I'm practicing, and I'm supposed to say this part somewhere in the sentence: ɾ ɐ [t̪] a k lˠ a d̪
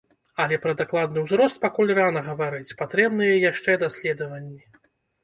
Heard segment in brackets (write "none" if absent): d̪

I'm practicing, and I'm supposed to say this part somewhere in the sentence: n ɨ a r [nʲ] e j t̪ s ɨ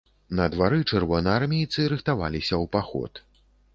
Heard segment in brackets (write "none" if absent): mʲ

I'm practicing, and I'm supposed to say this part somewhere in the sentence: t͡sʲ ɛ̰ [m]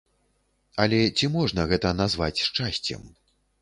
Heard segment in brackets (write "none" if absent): m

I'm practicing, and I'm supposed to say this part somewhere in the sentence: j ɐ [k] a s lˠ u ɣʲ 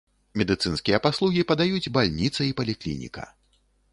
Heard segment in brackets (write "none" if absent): p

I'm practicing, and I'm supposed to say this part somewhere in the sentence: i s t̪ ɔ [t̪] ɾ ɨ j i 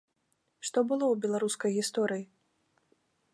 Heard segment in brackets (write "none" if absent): none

